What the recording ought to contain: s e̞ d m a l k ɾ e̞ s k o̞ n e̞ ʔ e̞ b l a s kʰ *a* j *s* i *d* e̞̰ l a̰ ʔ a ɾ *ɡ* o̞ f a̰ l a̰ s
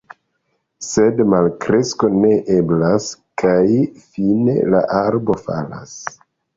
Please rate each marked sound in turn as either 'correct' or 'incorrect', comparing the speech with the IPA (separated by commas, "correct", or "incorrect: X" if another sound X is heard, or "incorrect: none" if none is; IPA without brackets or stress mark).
correct, incorrect: f, incorrect: n, incorrect: b